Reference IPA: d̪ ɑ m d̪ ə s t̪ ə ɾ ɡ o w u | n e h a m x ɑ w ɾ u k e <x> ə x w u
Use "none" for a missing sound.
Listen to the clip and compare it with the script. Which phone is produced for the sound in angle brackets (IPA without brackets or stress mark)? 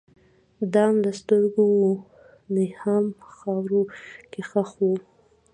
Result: x